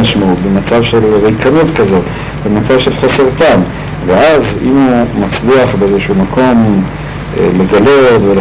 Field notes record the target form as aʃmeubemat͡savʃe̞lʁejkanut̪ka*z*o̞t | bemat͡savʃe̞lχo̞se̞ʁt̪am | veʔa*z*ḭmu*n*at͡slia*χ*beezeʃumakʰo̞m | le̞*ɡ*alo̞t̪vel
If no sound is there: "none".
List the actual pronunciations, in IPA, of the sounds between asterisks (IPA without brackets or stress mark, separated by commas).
z, z, m, χ, ɡ